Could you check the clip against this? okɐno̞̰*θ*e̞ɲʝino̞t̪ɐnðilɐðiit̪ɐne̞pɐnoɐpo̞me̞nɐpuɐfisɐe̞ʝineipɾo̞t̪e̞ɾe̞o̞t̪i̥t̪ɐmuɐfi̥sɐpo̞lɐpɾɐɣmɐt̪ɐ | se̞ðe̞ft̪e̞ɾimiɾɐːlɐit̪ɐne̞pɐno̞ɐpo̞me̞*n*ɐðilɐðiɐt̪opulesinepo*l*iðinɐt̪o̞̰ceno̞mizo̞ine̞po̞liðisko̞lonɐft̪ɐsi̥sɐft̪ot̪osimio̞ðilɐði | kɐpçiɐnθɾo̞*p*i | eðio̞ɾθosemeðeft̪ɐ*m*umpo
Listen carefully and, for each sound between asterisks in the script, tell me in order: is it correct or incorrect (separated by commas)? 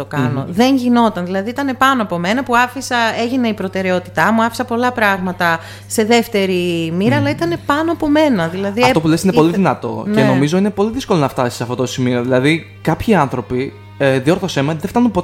incorrect, correct, correct, correct, incorrect